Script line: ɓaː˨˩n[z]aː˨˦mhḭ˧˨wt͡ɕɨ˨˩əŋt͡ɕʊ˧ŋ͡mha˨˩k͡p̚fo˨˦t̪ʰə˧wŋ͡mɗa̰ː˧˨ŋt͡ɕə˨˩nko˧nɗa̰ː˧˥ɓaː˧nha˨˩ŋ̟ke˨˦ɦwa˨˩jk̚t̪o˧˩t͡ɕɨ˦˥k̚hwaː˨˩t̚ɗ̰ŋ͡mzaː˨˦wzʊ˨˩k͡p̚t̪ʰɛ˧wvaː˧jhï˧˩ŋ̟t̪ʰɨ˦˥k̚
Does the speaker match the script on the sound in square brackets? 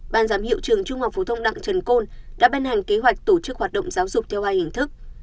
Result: yes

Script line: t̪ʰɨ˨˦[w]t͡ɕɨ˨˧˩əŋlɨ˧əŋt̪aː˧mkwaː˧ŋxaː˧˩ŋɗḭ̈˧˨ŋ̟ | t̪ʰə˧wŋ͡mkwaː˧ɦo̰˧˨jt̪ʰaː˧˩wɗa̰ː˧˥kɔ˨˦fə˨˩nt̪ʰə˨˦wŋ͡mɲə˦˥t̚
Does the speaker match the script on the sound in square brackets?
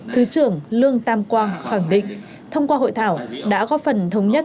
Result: no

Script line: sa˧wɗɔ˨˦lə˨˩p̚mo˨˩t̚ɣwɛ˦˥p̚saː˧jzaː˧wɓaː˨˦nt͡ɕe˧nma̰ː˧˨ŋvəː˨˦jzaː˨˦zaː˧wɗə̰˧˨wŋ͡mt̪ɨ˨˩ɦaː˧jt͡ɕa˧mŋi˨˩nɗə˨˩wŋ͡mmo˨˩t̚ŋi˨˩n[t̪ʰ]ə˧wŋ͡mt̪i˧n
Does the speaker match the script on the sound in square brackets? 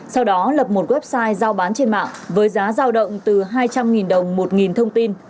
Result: yes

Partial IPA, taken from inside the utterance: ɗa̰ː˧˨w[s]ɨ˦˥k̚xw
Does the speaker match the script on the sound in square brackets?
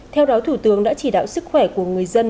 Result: yes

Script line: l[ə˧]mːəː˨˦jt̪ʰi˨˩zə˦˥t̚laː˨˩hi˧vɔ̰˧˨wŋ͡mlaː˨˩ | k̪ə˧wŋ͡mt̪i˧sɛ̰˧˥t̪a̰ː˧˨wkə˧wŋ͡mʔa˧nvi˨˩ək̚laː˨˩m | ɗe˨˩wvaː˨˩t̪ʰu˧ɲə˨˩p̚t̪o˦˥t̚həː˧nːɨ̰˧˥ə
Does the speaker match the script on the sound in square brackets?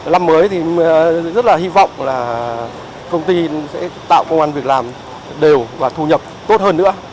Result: no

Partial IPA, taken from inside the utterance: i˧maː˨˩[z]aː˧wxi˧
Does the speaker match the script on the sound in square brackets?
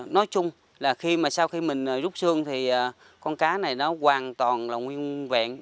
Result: no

